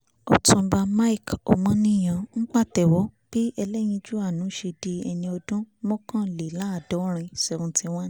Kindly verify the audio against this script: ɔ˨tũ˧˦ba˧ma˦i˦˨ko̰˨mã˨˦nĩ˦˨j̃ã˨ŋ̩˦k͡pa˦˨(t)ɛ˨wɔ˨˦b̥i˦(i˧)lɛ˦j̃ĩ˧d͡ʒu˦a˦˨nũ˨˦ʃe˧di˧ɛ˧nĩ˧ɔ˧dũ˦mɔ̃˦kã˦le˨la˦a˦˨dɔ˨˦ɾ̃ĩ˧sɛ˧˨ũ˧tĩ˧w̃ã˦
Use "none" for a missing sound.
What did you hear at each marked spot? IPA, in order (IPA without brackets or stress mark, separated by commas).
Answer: t, ɛ˧